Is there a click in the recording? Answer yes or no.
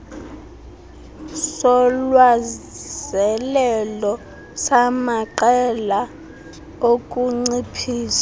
yes